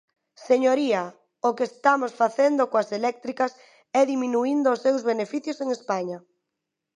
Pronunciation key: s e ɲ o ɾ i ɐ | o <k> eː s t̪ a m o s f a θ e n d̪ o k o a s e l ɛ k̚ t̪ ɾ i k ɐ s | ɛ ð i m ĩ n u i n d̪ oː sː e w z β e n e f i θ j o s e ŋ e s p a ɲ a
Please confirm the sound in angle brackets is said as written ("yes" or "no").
yes